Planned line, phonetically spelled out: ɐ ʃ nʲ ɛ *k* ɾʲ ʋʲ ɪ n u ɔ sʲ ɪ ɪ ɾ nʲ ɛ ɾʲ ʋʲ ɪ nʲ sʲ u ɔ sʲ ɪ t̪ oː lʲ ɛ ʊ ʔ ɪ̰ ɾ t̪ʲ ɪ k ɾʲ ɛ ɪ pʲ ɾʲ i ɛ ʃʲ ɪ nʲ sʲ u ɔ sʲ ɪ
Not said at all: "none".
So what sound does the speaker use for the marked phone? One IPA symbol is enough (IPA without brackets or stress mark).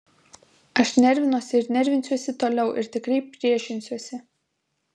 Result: none